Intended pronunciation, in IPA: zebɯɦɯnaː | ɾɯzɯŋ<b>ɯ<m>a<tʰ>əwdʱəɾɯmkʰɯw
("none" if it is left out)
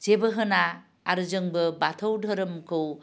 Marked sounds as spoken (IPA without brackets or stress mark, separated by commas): b, b, tʰ